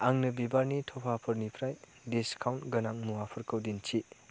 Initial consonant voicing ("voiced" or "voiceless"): voiced